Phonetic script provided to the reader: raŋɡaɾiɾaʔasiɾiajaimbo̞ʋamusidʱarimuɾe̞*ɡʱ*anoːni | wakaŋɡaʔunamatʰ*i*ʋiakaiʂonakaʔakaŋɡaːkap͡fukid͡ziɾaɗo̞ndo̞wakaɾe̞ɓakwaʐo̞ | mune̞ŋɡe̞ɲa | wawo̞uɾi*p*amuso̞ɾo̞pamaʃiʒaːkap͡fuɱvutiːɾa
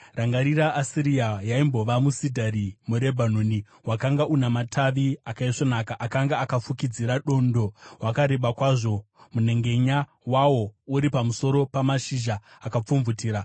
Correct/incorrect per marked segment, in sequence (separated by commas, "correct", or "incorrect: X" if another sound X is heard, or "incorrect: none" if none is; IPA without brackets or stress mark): incorrect: bʱ, incorrect: a, correct